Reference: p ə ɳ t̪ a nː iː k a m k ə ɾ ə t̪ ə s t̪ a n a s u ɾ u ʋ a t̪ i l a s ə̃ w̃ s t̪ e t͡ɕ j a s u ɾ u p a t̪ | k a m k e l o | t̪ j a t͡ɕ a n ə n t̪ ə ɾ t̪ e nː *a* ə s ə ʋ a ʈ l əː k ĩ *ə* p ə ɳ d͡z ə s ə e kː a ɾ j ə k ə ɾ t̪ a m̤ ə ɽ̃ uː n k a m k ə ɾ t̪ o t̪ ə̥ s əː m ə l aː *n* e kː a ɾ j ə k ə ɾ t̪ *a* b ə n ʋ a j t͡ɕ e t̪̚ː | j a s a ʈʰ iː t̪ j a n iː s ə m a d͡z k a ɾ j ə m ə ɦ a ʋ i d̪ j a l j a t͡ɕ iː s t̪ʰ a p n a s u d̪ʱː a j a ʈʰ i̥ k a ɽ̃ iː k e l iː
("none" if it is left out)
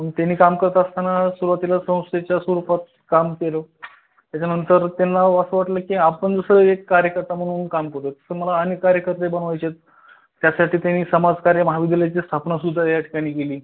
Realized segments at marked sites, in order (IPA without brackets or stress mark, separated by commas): a, a, n, e